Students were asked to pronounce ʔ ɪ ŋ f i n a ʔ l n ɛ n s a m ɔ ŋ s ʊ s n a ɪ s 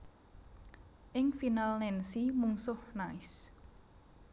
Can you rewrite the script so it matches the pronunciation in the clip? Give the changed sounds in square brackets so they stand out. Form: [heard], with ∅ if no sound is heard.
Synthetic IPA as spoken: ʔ ɪ ŋ f i n a [∅] l n ɛ n s [i] m [u] ŋ s ʊ [h] n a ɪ s